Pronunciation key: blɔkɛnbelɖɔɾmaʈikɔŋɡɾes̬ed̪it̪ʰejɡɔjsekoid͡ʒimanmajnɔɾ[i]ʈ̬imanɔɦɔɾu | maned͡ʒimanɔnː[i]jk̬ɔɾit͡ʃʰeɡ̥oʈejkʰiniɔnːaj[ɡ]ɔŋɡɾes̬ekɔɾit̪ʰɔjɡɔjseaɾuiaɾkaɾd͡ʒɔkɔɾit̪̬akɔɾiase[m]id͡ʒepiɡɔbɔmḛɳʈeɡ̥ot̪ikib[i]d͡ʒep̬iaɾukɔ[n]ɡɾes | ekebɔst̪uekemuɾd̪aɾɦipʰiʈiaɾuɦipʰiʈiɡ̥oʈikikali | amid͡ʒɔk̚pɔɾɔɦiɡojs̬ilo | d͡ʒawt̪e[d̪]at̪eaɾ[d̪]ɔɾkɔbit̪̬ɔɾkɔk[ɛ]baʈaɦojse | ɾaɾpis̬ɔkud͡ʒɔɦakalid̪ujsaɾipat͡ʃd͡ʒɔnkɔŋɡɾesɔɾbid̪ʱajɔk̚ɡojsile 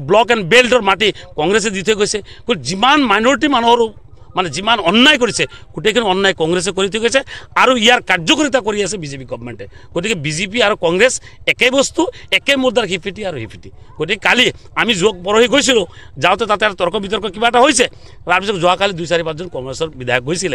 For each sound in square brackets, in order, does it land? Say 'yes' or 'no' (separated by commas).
yes, no, no, no, yes, no, no, no, no